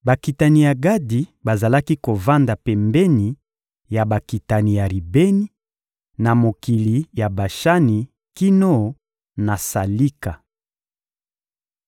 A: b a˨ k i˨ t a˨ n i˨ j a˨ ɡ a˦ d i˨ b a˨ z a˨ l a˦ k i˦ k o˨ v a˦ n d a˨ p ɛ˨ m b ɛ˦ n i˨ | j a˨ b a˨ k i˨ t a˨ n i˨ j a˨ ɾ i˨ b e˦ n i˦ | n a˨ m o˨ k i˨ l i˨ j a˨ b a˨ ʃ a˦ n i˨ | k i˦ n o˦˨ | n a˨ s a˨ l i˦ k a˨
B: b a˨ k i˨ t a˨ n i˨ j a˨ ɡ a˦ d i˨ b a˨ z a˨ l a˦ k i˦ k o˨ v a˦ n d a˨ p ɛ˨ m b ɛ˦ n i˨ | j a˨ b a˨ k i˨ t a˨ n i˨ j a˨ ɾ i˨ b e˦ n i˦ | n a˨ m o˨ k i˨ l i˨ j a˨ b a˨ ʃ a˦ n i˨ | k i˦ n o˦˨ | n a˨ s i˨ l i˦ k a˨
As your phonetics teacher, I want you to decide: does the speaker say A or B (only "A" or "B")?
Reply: A